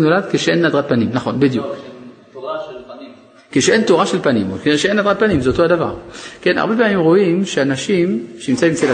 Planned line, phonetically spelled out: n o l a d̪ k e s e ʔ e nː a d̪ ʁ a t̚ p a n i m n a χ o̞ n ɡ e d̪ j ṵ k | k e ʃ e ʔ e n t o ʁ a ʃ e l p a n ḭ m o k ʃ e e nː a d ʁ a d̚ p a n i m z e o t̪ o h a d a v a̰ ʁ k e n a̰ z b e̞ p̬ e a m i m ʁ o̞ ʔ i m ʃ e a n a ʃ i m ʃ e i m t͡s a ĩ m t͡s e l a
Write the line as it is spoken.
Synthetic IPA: n o l a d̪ k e ʃ e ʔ e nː a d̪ ʁ a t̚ p a n i m n a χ o̞ n b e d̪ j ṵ k | k e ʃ e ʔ e n t o ʁ a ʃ e l p a n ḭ m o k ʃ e e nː a d ʁ a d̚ p a n i m z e o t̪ o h a d a v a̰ ʁ k e n a̰ ʁ b e̞ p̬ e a m i m ʁ o̞ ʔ i m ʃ e a n a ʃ i m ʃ e i m t͡s a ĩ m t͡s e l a